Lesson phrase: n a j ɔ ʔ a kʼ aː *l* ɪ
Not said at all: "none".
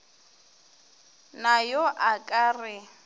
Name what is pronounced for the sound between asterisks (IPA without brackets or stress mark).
r